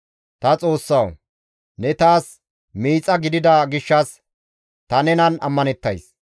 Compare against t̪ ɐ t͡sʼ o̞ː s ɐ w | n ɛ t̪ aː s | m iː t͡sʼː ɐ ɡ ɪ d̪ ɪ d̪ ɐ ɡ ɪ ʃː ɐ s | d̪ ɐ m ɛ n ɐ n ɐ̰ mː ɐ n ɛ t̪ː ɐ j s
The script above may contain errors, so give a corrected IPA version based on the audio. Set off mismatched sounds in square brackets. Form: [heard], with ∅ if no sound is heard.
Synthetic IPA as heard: t̪ ɐ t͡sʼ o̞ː [sː] ɐ w | n ɛ t̪ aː s | m iː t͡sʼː ɐ ɡ ɪ d̪ ɪ d̪ ɐ ɡ ɪ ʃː ɐ s | [t̪] ɐ [n] ɛ n ɐ n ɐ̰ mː ɐ n ɛ t̪ː ɐ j s